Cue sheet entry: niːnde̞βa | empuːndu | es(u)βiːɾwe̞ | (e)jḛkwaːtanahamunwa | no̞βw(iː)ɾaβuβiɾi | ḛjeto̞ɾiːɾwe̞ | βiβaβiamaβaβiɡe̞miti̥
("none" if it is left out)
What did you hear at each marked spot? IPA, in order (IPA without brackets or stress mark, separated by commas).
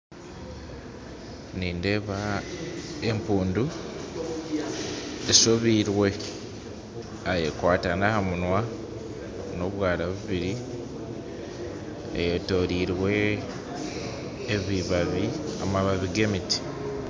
o, a, aː